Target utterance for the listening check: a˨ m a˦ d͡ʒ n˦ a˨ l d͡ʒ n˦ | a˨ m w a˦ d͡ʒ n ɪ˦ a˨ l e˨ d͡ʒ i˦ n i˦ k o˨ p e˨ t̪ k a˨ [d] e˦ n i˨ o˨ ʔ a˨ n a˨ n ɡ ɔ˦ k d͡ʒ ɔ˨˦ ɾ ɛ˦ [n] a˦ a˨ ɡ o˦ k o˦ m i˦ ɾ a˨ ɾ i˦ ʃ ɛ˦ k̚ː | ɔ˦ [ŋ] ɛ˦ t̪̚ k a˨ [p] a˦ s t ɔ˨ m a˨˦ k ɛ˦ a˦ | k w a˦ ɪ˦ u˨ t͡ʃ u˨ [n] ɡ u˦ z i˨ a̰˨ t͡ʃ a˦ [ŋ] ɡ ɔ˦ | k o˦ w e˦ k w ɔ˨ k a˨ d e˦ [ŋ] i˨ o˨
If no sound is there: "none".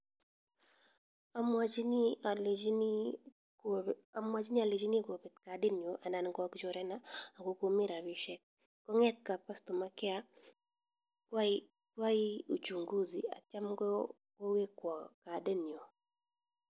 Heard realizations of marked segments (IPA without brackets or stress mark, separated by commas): d, n, ŋ, p, ŋ, m, n